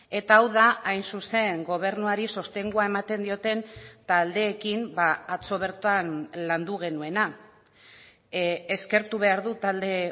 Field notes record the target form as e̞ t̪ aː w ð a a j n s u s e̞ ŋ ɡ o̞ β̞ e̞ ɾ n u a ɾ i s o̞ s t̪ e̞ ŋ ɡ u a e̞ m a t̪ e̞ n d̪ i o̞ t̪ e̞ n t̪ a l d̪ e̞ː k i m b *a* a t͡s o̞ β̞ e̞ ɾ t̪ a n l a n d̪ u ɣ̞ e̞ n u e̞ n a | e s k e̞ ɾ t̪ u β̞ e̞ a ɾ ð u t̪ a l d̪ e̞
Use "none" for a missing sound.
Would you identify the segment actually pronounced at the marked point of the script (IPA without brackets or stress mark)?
a